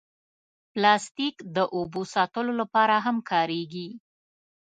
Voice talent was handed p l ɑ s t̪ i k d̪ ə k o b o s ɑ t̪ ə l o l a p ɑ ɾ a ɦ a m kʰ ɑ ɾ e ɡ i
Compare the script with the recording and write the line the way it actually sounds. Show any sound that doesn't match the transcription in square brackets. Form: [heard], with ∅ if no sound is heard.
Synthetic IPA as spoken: p l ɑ s t̪ i k d̪ ə [ʔ] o b o s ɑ t̪ ə l o l a p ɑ ɾ a ɦ a m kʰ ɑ ɾ e ɡ i

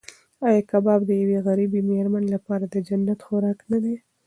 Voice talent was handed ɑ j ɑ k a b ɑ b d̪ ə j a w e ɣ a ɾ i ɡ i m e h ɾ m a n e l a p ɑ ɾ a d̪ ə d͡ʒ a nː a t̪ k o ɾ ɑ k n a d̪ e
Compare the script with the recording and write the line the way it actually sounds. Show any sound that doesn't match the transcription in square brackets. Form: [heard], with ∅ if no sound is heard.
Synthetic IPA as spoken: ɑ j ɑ k a b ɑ b d̪ ə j a w e ɣ a ɾ i [b] i m e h ɾ m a n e l a p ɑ ɾ a d̪ ə d͡ʒ a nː a t̪ [x] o ɾ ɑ k n a d̪ e

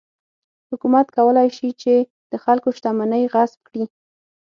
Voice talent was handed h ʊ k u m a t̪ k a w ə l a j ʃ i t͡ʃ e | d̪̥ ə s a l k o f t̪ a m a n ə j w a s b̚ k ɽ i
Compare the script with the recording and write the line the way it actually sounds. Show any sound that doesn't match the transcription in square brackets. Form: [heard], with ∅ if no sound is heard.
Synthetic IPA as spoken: h ʊ k u m a t̪ k a w ə l a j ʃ i t͡ʃ e | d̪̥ ə [x] a l k o [ʃ] t̪ a m a n ə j [ɣ] a s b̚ k ɽ i

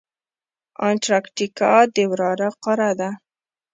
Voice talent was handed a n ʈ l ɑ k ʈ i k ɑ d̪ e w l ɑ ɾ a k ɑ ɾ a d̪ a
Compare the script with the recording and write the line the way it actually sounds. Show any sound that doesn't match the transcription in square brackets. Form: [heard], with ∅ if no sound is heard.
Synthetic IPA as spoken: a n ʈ [ɾ] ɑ k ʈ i k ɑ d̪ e w [ɾ] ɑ ɾ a [q] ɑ ɾ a d̪ a

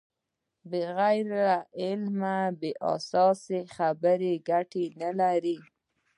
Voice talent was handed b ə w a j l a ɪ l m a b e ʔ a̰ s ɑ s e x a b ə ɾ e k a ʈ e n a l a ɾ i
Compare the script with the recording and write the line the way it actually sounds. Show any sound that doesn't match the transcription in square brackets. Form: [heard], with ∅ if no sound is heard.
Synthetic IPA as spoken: b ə [ɣ] a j [ɾ] a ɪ l m a b e ʔ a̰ s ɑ s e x a b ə ɾ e [ɡ] a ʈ e n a l a ɾ i

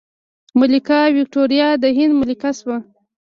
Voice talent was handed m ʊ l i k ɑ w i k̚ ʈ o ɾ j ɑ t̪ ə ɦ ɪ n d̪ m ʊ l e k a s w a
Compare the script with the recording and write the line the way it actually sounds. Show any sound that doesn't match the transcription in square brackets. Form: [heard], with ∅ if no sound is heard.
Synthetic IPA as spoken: m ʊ l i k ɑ w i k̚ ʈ o ɾ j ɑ [d̪] ə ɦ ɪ n d̪ m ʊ l [i] k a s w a

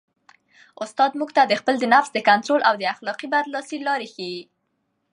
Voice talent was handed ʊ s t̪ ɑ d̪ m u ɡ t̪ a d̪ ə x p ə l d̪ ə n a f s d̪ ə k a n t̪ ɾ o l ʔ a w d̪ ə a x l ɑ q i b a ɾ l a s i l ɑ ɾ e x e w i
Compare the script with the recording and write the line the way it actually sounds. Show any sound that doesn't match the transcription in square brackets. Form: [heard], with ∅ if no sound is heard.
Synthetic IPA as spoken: ʊ s t̪ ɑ d̪ m u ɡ t̪ a d̪ ə x p ə l d̪ ə n a f s d̪ ə k a n t̪ ɾ o l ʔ a w d̪ ə a x l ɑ q i b a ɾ l [ɑ] s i l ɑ ɾ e x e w i

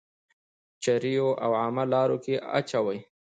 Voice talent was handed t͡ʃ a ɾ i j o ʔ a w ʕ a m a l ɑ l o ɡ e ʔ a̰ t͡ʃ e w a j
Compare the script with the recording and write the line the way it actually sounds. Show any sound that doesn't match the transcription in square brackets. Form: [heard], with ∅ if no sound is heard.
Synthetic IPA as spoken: t͡ʃ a ɾ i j o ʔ a w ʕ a m a l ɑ [ɾ] o [k] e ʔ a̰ t͡ʃ [a] w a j

